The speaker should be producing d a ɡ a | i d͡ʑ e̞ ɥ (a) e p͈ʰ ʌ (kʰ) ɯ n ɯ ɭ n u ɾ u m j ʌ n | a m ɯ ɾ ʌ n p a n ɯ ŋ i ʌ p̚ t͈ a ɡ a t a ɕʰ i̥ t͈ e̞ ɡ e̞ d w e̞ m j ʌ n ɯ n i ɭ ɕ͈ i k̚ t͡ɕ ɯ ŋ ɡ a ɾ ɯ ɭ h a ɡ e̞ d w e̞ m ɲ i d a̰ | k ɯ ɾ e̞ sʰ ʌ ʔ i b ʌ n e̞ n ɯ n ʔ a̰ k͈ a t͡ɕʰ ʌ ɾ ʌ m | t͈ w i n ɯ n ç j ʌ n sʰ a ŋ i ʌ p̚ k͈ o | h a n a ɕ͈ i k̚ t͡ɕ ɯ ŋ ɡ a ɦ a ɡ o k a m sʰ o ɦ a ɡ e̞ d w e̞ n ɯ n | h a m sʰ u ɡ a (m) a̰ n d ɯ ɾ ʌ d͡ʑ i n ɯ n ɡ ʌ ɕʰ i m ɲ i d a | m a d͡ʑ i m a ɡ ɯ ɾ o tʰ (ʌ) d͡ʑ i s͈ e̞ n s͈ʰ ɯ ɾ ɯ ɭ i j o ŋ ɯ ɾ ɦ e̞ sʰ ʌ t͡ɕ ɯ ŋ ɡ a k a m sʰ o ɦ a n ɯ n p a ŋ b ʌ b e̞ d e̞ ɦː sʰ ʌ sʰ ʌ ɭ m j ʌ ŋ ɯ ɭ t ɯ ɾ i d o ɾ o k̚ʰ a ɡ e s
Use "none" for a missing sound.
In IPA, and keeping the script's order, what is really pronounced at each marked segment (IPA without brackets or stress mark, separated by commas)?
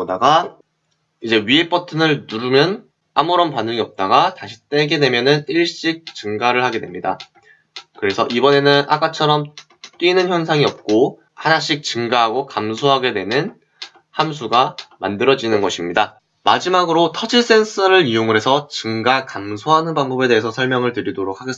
i, tʰ, m, ʌ